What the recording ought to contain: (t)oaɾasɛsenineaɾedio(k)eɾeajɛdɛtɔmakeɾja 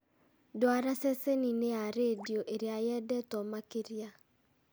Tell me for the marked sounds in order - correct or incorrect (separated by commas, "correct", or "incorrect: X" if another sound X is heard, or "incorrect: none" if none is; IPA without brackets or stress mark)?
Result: incorrect: d, incorrect: ʔ